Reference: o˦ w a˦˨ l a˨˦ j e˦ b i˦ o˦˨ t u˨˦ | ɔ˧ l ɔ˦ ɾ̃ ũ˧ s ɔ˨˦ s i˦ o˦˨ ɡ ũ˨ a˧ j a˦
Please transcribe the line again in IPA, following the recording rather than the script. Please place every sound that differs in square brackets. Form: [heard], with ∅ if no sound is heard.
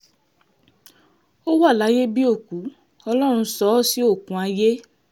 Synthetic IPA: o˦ w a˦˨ l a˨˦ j e˦ b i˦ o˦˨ [k] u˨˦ | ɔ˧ l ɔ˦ ɾ̃ ũ˧ s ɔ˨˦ s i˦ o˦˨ [k] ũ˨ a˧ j [e˦]